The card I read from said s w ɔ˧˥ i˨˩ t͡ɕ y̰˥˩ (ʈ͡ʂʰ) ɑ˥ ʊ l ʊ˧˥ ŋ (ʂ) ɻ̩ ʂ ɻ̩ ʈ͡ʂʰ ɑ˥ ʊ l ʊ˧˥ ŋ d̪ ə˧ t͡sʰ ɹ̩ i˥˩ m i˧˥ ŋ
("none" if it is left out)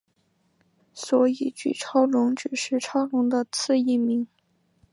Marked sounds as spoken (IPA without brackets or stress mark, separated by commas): ʈ͡ʂʰ, ʈ͡ʂ